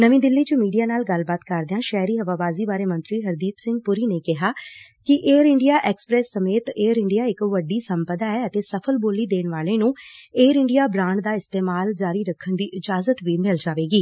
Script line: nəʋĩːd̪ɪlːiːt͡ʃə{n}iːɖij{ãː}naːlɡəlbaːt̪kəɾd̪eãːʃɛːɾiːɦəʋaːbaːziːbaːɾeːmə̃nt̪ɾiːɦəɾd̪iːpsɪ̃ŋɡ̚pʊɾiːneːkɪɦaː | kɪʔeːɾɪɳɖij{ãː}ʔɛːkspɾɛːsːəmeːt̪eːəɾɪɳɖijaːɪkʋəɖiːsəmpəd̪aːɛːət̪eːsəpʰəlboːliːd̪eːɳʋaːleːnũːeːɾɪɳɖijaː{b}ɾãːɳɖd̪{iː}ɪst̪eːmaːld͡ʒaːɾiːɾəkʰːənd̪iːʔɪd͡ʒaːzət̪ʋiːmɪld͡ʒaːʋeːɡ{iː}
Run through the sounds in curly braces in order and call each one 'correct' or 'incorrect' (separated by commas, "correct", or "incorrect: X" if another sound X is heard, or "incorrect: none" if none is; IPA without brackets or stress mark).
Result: incorrect: m, incorrect: aː, incorrect: aː, correct, incorrect: aː, correct